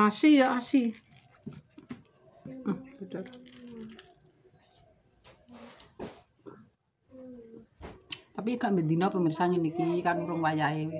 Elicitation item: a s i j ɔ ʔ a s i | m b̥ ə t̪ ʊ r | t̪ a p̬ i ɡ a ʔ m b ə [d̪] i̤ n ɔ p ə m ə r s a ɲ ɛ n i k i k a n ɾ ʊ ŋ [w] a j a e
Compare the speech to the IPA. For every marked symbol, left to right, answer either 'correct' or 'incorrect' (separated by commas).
correct, correct